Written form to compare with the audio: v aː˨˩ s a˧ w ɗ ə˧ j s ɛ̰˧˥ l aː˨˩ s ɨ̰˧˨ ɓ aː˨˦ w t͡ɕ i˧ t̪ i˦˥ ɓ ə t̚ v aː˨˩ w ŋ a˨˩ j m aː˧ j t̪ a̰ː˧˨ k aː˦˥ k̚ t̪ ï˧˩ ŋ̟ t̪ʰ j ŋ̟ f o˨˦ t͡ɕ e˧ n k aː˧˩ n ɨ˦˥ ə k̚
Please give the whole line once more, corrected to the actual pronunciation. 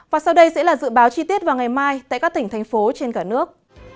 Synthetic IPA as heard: v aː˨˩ s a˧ w ɗ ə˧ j s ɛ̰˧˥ l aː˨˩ z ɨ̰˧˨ ɓ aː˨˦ w t͡ɕ i˧ t̪ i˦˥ ə t̚ v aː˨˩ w ŋ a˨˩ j m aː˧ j t̪ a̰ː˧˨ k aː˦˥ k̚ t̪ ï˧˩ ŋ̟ t̪ʰ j ŋ̟ f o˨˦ t͡ɕ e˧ n k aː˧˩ n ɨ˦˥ ə k̚